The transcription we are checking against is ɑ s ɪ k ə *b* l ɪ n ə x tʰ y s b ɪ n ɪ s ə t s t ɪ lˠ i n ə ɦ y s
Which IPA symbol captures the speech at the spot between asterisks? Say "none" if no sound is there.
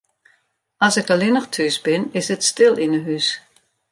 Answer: none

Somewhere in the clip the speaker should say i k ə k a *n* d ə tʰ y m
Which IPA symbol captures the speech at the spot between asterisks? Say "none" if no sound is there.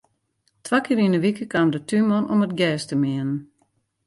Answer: m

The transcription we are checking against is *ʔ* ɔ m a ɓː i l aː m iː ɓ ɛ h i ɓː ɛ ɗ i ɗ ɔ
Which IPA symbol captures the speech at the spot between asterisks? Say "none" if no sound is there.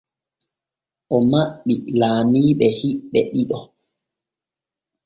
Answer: ʔ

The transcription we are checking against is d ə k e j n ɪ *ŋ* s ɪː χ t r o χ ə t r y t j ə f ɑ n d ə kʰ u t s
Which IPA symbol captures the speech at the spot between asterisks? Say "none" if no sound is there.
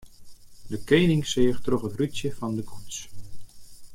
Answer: ŋ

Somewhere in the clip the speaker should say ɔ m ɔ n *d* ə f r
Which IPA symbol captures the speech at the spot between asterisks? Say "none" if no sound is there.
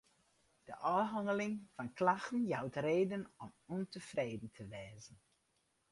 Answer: t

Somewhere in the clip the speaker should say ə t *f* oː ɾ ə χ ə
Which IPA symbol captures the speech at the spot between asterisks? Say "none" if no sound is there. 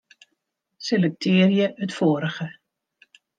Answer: f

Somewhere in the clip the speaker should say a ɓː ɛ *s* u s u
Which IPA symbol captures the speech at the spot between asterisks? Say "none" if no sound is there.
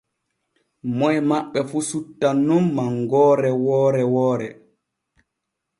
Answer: f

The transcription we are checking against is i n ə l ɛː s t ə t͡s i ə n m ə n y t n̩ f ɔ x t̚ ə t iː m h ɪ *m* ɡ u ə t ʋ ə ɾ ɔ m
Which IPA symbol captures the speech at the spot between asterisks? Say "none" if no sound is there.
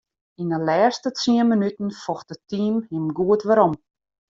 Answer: m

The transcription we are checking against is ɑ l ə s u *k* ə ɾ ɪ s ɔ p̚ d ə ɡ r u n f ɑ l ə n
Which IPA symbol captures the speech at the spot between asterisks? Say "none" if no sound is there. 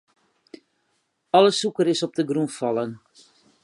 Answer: k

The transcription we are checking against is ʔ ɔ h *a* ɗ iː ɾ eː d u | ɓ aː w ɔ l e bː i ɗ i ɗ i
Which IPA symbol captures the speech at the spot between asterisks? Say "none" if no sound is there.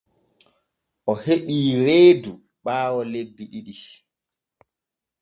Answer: e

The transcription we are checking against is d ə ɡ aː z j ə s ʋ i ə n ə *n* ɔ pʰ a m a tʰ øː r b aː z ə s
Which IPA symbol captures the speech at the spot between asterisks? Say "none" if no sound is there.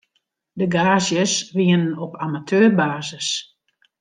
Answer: n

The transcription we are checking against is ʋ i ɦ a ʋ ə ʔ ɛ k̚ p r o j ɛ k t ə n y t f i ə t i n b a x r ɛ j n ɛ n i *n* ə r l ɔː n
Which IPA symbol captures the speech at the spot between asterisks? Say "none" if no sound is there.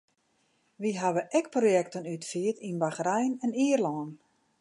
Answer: none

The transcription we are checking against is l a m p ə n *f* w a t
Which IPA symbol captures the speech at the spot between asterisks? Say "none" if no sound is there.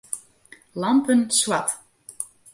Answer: s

